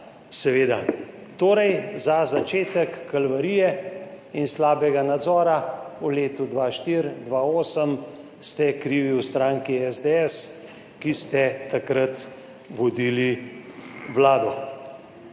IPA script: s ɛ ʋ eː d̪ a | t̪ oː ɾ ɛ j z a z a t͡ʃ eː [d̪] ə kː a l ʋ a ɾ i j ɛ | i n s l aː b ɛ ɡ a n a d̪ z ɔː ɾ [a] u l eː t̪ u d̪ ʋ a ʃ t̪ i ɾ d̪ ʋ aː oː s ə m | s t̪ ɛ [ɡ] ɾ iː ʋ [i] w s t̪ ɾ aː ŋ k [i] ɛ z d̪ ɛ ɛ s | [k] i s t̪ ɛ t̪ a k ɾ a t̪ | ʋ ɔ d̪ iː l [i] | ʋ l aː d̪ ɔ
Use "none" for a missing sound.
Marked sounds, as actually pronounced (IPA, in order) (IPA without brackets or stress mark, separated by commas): t̪, a, k, i, i, k, i